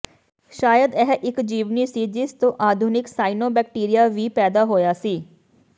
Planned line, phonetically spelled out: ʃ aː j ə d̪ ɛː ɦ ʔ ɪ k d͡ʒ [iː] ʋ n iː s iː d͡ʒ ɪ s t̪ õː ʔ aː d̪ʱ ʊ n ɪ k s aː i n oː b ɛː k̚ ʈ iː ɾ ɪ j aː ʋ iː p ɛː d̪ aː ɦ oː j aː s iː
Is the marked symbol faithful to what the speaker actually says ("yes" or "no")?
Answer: yes